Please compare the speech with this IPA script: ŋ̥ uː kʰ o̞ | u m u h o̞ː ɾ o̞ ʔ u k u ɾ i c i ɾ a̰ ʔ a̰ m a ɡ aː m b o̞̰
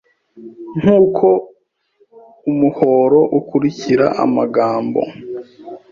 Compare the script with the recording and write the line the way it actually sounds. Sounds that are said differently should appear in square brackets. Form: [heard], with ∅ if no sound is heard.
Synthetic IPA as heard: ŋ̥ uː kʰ o̞ | u m u h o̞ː ɾ o̞ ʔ u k u ɾ i c i ɾ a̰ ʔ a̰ m a ɡ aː m b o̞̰